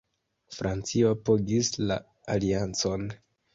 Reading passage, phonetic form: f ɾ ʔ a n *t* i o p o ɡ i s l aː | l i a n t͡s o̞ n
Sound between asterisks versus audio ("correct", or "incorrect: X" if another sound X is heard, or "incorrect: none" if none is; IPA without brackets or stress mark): incorrect: t͡s